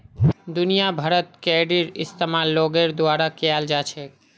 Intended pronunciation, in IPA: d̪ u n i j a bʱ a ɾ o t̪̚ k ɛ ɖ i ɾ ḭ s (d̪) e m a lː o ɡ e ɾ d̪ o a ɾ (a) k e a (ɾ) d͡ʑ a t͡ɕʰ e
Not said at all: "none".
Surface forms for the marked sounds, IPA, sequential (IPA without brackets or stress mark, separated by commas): t̪, a, l